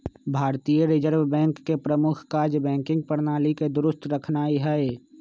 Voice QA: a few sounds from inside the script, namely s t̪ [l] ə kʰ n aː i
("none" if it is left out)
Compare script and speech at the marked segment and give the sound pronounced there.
ɾ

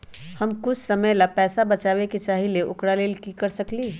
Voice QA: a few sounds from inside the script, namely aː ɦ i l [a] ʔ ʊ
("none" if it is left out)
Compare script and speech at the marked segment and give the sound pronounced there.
e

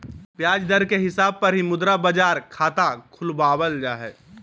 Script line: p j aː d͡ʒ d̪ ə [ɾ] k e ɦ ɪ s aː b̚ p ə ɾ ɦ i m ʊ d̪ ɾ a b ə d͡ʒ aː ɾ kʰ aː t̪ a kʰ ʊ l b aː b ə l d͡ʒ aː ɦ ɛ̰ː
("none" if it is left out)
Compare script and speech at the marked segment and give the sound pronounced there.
ɾ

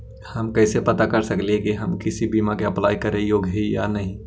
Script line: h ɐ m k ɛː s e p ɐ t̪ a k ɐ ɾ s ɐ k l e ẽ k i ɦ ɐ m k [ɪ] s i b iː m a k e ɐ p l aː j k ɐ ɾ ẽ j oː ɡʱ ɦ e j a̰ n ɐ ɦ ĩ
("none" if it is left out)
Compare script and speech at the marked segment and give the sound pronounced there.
ɪ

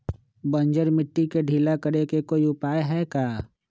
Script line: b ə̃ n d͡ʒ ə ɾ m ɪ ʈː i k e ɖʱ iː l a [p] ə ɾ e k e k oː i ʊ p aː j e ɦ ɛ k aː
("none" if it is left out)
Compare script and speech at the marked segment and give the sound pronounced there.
k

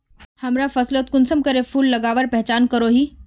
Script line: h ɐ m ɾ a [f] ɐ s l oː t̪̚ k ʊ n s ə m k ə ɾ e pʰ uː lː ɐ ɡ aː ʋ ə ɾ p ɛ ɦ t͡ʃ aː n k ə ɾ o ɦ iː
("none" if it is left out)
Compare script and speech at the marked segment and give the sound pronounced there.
f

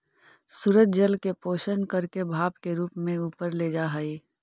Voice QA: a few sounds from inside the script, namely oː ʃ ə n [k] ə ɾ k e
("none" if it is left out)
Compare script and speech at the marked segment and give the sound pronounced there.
k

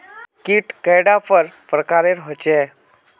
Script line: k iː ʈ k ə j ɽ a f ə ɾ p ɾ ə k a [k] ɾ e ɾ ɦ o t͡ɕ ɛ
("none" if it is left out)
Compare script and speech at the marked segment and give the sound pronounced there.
none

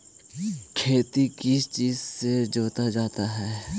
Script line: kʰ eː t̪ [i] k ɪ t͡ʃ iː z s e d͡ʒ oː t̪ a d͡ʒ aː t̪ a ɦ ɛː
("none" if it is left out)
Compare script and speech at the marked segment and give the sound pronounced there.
i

